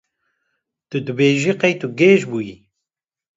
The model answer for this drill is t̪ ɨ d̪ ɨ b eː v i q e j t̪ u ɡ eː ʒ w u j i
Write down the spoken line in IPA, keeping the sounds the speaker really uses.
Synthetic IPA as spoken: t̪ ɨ d̪ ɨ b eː ʒ i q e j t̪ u ɡ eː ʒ b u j i